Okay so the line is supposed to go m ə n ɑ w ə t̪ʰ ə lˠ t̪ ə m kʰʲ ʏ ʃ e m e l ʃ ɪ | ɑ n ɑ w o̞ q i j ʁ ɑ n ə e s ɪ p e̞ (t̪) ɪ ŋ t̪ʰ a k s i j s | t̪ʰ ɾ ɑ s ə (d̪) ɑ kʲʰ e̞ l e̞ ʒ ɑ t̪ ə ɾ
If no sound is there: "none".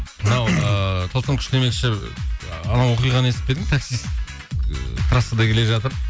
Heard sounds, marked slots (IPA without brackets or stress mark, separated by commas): d̪, d̪